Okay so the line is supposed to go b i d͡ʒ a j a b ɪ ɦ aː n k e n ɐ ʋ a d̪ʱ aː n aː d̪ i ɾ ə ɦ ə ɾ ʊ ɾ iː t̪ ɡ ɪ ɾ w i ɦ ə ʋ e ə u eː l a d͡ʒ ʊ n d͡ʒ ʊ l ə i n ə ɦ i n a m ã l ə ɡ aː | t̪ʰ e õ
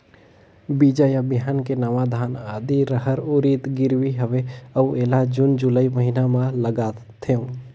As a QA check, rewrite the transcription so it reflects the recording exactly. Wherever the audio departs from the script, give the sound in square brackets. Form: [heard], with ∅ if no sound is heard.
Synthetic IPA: b i d͡ʒ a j a b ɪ ɦ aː n k e n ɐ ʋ a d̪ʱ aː n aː d̪ i ɾ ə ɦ ə ɾ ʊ ɾ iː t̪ ɡ ɪ ɾ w i ɦ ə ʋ e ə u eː l a d͡ʒ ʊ n d͡ʒ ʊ l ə i [m] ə ɦ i n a m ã l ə ɡ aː | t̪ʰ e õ

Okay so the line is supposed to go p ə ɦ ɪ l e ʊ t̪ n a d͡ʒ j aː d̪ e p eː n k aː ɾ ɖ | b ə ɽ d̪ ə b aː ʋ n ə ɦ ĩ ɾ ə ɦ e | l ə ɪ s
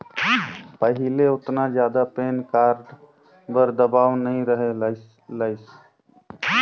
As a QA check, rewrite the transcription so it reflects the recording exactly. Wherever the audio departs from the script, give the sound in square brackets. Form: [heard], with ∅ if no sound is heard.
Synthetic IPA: p ə ɦ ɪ l e ʊ t̪ n a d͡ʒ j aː d̪ [a] p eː n k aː ɾ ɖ | b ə [ɾ] d̪ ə b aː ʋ n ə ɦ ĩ ɾ ə ɦ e | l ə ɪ s

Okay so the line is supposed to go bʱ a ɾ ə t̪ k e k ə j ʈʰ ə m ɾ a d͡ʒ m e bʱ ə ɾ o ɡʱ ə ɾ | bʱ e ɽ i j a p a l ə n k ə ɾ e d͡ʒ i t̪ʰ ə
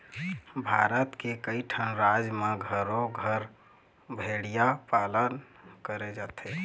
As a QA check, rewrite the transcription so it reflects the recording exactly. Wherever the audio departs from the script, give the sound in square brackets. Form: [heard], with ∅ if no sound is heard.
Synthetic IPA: bʱ a ɾ ə t̪ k e k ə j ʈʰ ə [n] ɾ a d͡ʒ m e [ɡʱ] ə ɾ o ɡʱ ə ɾ | bʱ e ɽ i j a p a l ə n k ə ɾ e d͡ʒ [a] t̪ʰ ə

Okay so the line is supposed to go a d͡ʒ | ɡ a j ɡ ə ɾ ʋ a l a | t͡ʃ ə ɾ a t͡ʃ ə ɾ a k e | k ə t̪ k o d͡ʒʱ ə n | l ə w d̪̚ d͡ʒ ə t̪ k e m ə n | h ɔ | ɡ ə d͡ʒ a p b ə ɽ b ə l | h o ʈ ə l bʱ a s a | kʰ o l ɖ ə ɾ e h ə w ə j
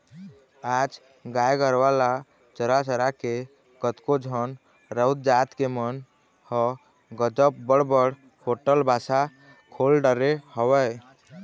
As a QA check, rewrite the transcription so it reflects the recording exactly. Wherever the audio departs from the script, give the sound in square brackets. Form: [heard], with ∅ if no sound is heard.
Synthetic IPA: a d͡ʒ | ɡ a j ɡ ə ɾ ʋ a l a | t͡ʃ ə ɾ a t͡ʃ ə ɾ a k e | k ə t̪ k o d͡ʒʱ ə n | [ɾ] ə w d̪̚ d͡ʒ [a] t̪ k e m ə n | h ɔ | ɡ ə d͡ʒ [ə] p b ə ɽ b ə [ɽ] | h o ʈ ə l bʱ a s a | kʰ o l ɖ ə ɾ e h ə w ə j

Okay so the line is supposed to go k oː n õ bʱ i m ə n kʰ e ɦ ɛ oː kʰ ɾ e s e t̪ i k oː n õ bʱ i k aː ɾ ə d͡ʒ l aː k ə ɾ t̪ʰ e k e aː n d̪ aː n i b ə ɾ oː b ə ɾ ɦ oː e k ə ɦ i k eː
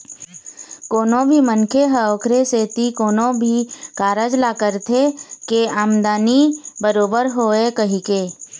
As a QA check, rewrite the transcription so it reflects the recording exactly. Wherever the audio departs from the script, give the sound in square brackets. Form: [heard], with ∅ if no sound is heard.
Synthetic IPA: k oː n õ bʱ i m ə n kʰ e ɦ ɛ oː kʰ ɾ e s e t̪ i k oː n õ bʱ i k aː ɾ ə d͡ʒ l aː k ə ɾ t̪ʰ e k e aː [m] d̪ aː n i b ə ɾ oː b ə ɾ ɦ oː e k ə ɦ i k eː

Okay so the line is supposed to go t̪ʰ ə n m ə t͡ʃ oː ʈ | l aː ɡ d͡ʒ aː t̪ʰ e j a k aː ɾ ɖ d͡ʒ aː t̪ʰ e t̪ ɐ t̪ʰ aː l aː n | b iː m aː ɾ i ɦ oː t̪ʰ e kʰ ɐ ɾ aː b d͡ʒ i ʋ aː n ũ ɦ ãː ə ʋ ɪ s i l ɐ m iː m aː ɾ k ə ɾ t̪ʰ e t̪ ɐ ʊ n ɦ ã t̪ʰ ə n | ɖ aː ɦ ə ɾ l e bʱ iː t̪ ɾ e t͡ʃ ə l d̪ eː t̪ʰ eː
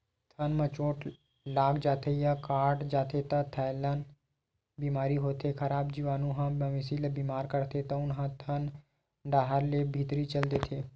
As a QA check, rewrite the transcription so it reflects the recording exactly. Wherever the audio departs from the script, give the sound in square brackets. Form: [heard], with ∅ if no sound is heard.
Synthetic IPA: t̪ʰ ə n m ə t͡ʃ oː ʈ | l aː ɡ d͡ʒ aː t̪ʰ e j a k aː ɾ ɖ d͡ʒ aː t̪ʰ e t̪ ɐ t̪ʰ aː l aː n | b iː m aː ɾ i ɦ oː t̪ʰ e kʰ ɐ ɾ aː b d͡ʒ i ʋ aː n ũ ɦ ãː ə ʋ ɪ s i l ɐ [b] iː m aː ɾ k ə ɾ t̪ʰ e t̪ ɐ ʊ n ɦ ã t̪ʰ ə n | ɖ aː ɦ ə ɾ l e bʱ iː t̪ ɾ [i] t͡ʃ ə l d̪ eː t̪ʰ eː

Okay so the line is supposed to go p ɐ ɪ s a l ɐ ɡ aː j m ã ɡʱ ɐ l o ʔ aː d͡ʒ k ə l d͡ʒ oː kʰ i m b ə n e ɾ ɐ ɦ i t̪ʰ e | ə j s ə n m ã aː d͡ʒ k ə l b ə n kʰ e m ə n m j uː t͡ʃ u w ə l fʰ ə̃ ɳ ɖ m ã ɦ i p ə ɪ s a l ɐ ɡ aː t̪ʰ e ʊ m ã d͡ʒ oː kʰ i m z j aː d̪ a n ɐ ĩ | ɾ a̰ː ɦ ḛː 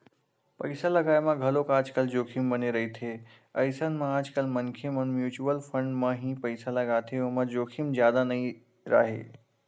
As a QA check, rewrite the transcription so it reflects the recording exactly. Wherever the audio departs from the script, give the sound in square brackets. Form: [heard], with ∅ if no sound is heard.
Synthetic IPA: p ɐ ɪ s a l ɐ ɡ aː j m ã ɡʱ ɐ l o [k] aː d͡ʒ k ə l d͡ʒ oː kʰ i m b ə n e ɾ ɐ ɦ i t̪ʰ e | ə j s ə n m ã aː d͡ʒ k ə l [m] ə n kʰ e m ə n m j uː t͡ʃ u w ə l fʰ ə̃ ɳ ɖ m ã ɦ i p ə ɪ s a l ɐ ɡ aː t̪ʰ e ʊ m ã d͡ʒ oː kʰ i m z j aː d̪ a n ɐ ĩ | ɾ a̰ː ɦ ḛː

